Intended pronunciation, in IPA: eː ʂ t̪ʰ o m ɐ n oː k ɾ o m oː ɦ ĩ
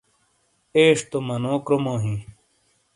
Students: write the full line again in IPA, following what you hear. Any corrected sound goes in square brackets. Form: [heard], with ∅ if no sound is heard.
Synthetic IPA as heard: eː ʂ [t̪] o m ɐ n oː k ɾ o m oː ɦ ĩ